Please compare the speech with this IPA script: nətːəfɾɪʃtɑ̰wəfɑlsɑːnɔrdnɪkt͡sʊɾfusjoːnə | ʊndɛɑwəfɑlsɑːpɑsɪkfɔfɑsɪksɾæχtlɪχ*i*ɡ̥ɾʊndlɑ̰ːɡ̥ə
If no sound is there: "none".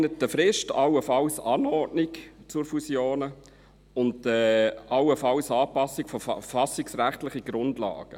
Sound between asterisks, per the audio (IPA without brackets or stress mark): i